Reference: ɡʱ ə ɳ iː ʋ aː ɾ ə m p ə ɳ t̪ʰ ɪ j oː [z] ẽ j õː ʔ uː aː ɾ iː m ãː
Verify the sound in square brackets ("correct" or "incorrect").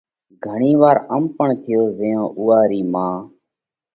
correct